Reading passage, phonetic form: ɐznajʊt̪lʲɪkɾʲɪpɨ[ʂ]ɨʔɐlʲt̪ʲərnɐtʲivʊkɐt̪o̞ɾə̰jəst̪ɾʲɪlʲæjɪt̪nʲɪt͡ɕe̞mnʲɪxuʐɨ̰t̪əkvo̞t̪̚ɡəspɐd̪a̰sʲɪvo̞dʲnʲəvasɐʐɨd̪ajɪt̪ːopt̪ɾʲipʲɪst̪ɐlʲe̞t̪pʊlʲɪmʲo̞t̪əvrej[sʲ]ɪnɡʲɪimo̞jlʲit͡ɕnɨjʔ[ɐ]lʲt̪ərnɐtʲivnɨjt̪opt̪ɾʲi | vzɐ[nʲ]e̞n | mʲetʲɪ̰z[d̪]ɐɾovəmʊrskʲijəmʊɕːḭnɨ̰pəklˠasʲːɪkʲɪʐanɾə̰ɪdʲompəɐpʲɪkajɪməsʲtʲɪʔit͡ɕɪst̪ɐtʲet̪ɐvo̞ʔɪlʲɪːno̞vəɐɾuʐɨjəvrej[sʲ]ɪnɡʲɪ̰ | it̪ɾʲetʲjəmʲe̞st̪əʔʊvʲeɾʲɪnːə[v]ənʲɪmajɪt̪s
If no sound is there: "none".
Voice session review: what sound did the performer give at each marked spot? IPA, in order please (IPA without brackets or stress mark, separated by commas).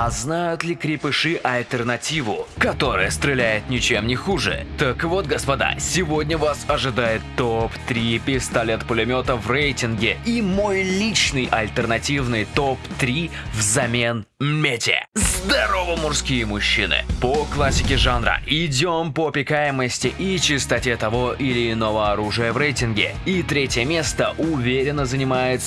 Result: ʂ, tʲ, ɐ, mʲ, d̪, tʲ, z